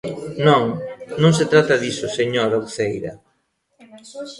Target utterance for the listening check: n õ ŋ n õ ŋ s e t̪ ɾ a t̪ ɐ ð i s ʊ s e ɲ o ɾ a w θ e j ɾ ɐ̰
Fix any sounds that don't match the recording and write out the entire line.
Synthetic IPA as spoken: n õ ŋ n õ ŋ s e t̪ ɾ a t̪ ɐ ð i s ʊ s e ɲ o ɾ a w θ e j ɾ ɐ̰